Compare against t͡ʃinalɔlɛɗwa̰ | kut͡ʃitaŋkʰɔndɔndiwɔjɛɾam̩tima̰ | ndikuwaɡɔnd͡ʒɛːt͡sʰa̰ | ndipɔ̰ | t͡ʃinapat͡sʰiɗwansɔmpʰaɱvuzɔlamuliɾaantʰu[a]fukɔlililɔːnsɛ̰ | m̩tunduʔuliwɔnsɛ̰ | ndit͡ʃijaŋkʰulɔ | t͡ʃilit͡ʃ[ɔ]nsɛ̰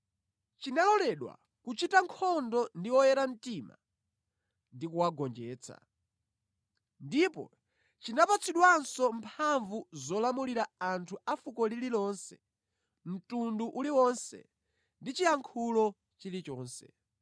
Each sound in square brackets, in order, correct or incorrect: correct, incorrect: ɔː

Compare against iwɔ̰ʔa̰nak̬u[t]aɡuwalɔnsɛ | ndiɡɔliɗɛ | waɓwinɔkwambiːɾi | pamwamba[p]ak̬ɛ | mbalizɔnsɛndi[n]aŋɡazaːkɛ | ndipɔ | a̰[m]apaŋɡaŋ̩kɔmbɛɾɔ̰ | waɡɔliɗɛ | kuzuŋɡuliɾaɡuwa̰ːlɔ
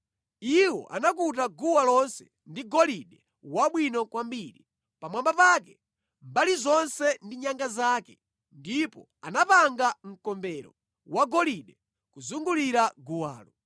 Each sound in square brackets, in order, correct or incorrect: correct, correct, incorrect: ɲ, incorrect: n

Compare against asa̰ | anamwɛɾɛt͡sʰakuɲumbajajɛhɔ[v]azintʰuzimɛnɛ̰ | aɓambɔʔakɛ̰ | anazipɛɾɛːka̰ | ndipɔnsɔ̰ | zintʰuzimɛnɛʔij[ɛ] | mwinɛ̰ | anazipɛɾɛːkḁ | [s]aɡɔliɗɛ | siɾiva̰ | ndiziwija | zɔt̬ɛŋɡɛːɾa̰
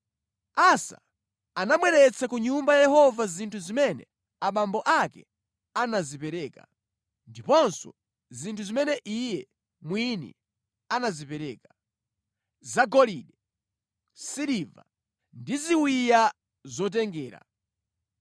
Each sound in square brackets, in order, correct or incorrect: correct, correct, incorrect: z

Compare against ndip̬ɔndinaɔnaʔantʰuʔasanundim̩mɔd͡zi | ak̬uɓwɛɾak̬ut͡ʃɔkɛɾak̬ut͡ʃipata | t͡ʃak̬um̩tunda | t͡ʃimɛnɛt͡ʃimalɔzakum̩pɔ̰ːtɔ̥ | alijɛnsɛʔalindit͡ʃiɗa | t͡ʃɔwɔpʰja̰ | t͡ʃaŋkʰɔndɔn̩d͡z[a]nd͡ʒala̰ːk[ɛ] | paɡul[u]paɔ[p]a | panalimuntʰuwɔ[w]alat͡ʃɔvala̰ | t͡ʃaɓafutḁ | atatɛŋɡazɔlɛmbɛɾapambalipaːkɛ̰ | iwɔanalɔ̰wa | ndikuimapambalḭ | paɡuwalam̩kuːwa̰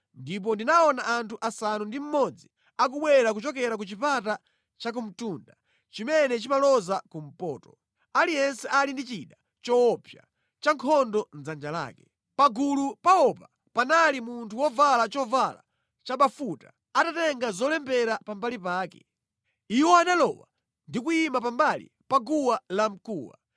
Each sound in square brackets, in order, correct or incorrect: correct, correct, correct, correct, incorrect: v

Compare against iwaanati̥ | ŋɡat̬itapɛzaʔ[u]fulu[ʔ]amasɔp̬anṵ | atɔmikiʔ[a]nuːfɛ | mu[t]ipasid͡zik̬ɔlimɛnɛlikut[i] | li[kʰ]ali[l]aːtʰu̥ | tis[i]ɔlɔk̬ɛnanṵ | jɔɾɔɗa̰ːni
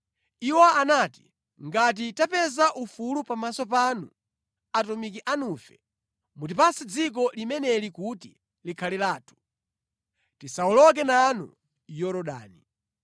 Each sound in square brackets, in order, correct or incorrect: correct, incorrect: p, correct, correct, correct, correct, correct, incorrect: a

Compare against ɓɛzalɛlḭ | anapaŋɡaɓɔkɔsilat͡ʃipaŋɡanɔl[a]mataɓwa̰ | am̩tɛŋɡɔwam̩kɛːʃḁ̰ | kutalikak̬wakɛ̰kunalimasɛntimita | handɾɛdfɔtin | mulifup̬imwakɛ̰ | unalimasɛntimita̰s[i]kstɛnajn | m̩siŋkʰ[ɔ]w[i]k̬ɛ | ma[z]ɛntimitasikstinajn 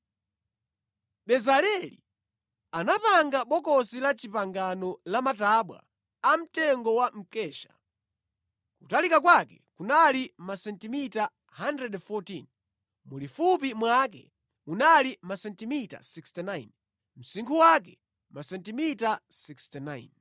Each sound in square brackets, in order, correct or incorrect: correct, correct, incorrect: u, incorrect: a, incorrect: s

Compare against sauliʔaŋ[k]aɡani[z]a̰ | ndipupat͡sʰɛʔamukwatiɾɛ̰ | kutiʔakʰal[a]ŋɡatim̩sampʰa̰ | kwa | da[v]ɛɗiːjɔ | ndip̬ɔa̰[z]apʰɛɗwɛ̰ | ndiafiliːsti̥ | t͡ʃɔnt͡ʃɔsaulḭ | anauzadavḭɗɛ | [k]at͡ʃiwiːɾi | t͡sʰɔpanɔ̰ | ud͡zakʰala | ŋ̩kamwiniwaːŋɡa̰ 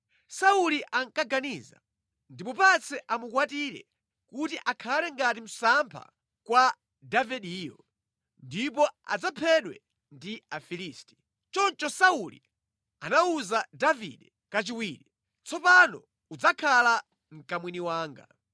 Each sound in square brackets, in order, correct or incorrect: correct, correct, incorrect: ɛ, correct, incorrect: d͡z, correct

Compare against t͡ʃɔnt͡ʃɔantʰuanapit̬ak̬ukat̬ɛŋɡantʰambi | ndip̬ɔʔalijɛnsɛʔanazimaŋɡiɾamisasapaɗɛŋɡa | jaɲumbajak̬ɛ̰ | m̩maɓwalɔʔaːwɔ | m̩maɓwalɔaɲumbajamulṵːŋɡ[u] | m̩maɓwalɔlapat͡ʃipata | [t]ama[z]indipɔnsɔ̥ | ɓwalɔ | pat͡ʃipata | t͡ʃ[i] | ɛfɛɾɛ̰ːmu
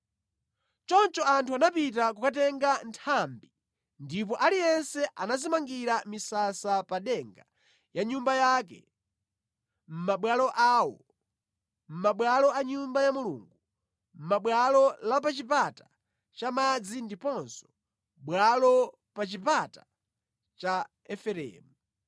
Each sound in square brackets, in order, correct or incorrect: correct, incorrect: t͡ʃ, incorrect: d͡z, incorrect: a

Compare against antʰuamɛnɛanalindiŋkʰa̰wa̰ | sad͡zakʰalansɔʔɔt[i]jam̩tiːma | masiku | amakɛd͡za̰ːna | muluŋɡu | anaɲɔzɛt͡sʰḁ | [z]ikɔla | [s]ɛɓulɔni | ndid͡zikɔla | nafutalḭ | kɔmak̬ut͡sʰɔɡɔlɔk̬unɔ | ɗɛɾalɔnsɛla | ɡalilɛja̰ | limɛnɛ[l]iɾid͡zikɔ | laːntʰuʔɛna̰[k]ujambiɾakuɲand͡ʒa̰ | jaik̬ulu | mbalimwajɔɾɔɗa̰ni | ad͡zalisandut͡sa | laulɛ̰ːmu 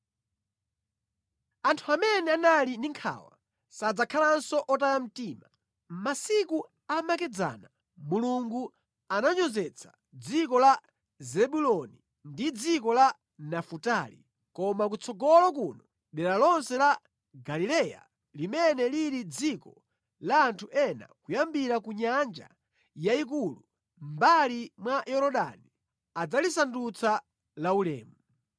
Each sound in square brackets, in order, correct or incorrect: incorrect: a, incorrect: d͡z, incorrect: z, correct, correct

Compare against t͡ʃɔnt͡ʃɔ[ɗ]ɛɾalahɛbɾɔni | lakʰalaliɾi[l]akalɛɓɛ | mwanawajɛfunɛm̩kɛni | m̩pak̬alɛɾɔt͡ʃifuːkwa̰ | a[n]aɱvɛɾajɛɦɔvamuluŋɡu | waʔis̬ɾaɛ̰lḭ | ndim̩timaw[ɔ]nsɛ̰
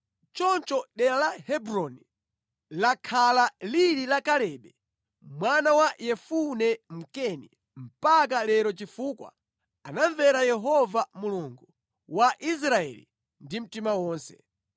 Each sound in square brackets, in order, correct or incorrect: correct, correct, correct, incorrect: ɔː

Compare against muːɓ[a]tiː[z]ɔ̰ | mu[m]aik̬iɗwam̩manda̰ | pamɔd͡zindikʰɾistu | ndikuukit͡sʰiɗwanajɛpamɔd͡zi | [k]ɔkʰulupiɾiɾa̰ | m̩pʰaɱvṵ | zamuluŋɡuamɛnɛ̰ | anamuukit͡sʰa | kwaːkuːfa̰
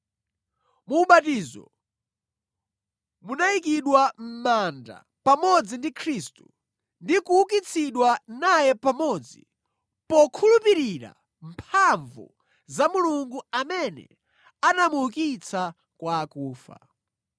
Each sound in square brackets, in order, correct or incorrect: correct, correct, incorrect: n, incorrect: p

